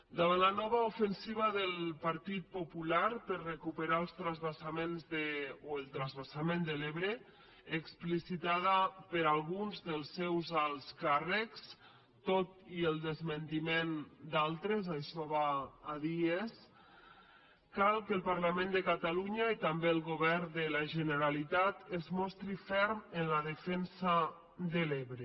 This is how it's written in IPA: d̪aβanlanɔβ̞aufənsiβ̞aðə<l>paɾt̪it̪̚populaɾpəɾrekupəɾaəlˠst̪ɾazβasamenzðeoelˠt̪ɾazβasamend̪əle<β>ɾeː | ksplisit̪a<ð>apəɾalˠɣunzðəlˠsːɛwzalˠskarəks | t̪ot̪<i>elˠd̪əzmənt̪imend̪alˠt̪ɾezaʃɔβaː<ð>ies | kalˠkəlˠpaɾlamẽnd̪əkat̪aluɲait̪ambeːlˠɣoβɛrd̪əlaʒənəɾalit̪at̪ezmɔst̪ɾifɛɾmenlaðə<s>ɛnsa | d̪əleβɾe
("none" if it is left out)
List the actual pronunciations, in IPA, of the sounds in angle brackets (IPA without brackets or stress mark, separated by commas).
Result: l, β, ð, i, ð, f